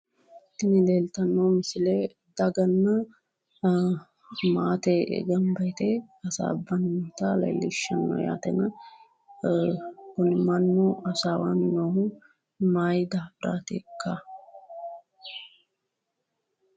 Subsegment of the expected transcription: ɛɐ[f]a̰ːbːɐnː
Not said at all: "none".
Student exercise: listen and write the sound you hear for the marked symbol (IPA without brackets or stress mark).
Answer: s